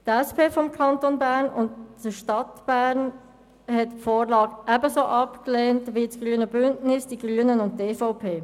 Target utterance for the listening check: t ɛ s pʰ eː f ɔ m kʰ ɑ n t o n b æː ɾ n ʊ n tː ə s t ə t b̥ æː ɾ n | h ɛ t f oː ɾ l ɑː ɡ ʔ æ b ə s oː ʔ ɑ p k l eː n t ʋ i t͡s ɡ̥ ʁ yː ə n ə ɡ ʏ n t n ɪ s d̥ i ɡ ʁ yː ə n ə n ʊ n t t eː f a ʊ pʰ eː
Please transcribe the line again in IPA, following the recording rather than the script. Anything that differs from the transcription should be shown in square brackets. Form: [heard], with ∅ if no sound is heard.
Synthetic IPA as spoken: t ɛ s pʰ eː f ɔ m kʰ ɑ n t o n b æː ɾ n ʊ n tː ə [ʃ] t [ɑ] t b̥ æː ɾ n | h ɛ t f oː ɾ l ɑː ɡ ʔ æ b ə s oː ʔ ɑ p k l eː n t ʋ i t͡s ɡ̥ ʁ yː ə n ə [b] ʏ n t n ɪ s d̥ i ɡ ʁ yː ə n ə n ʊ n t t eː f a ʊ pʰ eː